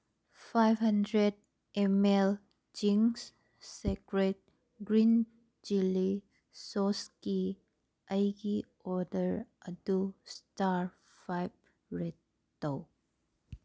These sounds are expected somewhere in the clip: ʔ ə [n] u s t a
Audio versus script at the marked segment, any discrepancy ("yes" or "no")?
yes